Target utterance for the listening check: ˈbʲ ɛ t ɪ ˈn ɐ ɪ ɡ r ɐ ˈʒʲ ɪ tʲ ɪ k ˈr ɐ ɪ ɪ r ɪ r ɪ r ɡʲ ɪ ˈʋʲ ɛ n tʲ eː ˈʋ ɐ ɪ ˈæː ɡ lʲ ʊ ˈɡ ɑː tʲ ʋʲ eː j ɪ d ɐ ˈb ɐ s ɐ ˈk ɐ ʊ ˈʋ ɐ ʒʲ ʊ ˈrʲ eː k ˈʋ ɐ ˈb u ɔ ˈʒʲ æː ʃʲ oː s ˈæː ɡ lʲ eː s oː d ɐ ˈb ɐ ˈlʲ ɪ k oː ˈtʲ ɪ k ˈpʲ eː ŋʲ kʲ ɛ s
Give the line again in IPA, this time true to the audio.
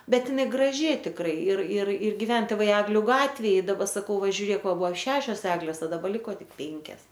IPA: ˈbʲ ɛ t ɪ ˈn ɐ ɪ ɡ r ɐ ˈʒʲ ɪ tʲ ɪ k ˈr ɐ ɪ ɪ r ɪ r ɪ r ɡʲ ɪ ˈʋʲ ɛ n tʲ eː ˈʋ ɐ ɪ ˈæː ɡ lʲ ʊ ˈɡ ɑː tʲ ʋʲ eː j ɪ d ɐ ˈb ɐ s ɐ ˈk ɐ ʊ ˈʋ ɐ ʒʲ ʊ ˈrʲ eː k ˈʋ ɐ ˈb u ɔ ˈʃʲ æː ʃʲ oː s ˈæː ɡ lʲ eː s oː d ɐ ˈb ɐ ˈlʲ ɪ k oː ˈtʲ ɪ k ˈpʲ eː ŋʲ kʲ ɛ s